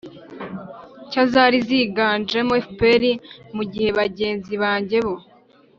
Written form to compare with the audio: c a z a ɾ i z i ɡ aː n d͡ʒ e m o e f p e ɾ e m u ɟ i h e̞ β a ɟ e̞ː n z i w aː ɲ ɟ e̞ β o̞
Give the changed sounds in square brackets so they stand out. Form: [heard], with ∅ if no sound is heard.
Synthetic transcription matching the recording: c a z a ɾ i z i ɡ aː n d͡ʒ e m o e f p e ɾ [i] m u ɟ i h e̞ β a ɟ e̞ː n z i [β] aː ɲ ɟ e̞ β o̞